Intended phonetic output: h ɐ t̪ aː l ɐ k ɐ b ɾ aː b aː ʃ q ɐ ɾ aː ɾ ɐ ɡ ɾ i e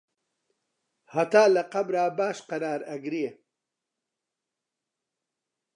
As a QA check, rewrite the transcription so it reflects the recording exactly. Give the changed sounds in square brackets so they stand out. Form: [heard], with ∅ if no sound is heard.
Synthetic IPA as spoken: h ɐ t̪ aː l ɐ [q] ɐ b ɾ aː b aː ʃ q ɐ ɾ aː ɾ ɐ ɡ ɾ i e